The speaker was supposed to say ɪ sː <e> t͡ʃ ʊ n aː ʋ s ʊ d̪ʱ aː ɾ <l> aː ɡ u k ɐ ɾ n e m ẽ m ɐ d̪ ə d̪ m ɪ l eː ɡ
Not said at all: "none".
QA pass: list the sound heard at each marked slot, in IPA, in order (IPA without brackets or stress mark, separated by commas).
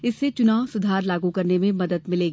e, l